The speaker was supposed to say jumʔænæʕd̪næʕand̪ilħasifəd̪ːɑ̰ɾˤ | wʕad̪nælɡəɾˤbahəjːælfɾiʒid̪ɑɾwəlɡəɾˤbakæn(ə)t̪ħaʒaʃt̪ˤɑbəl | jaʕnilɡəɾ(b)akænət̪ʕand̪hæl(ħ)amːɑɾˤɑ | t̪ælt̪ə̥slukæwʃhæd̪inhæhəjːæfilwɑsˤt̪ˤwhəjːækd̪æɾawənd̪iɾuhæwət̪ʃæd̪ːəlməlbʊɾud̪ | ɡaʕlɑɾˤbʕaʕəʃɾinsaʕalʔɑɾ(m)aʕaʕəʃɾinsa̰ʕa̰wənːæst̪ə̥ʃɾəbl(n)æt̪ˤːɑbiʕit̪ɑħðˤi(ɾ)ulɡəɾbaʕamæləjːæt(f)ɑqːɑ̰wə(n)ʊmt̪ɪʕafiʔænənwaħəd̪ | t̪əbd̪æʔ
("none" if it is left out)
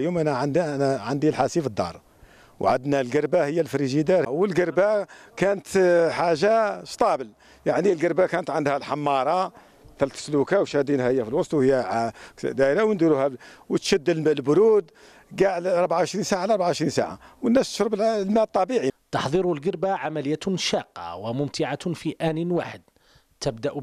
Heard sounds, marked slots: ə, b, ħ, b, m, ɾ, ʃ, m

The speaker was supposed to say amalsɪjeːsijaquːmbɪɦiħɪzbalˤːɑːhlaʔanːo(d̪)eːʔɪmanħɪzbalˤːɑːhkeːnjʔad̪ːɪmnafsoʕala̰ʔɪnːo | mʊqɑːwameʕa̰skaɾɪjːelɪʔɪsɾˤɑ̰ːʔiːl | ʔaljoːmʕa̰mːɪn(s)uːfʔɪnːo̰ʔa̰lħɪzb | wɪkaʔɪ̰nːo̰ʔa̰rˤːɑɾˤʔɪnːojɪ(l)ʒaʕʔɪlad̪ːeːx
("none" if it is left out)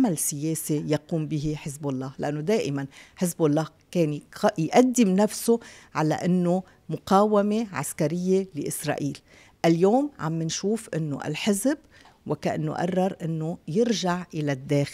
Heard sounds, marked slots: d̪, ʃ, ɾ

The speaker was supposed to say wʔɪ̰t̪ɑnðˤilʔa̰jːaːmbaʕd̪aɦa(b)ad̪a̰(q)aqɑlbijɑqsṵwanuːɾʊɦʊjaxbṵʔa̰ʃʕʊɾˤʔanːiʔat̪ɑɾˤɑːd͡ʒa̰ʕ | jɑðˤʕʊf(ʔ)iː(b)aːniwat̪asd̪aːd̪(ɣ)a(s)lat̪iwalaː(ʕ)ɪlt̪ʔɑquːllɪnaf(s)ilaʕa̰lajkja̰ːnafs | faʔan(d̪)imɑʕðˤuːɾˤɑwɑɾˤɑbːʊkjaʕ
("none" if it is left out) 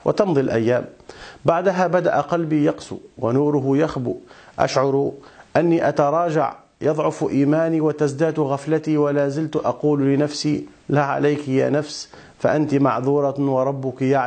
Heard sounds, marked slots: b, ʔ, ʔ, m, ɣ, f, z, s, t̪

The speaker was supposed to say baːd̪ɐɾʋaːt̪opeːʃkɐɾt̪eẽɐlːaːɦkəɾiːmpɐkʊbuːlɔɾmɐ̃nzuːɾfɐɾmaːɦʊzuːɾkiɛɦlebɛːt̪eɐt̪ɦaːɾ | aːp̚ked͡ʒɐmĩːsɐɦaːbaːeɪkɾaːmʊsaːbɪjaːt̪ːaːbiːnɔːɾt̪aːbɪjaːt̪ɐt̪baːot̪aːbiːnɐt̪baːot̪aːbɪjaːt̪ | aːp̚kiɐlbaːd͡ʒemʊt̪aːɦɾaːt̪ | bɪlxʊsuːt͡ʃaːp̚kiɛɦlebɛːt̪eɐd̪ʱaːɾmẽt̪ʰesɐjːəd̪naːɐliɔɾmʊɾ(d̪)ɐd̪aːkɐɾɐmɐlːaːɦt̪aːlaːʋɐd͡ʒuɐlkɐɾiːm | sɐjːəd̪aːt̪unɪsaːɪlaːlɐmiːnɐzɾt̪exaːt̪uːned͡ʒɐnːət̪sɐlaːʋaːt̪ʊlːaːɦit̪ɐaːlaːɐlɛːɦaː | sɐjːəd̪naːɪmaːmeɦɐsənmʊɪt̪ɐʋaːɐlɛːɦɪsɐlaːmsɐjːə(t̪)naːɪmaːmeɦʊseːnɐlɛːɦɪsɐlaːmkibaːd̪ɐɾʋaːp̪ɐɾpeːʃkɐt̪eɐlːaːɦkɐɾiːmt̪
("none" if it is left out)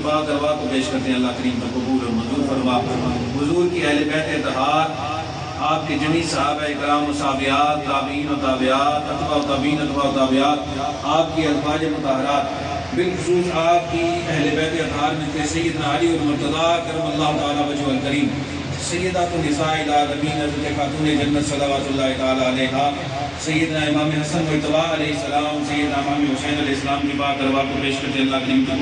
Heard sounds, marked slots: t̪, d̪

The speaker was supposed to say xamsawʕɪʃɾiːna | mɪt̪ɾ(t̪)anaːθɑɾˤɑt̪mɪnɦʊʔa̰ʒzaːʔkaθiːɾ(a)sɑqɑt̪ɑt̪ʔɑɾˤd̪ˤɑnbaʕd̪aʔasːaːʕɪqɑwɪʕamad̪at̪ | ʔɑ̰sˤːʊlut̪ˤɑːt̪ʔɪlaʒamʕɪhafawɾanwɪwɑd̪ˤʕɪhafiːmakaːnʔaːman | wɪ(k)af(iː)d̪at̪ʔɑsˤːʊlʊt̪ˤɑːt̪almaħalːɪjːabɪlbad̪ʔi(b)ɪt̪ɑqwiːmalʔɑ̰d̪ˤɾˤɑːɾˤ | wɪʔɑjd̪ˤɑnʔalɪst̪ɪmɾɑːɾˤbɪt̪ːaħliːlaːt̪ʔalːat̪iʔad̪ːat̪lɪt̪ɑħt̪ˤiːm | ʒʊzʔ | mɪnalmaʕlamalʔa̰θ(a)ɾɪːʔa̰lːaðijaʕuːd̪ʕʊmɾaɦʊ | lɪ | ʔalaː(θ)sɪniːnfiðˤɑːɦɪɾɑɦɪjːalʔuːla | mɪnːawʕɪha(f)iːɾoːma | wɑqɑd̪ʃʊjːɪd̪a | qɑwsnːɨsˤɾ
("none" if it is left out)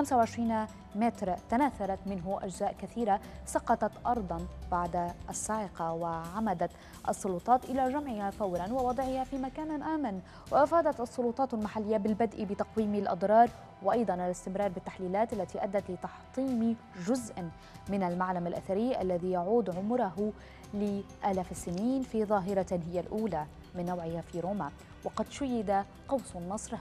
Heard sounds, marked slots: t̪, a, ʔ, aː, b, a, f, f

